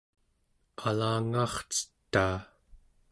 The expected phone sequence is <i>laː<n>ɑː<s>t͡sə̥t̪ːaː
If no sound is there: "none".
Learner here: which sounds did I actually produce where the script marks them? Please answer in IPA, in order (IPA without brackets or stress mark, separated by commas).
a, ŋ, χ